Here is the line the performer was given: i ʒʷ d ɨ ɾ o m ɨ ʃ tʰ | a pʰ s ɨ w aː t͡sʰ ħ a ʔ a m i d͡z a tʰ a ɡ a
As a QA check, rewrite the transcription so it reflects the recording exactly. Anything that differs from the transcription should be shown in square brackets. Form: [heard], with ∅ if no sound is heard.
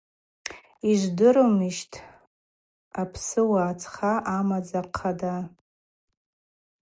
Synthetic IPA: i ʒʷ d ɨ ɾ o m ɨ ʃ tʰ | a pʰ s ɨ w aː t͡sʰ [χ] a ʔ a m [a] d͡z a [qʰ] a [d] a